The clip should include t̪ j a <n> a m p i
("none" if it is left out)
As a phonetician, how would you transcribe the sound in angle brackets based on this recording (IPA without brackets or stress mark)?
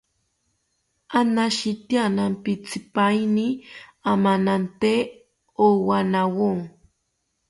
n